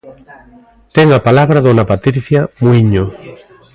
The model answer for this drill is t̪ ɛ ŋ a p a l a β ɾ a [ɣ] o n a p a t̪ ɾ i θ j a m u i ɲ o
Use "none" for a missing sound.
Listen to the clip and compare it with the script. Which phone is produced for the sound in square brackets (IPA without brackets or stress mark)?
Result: ð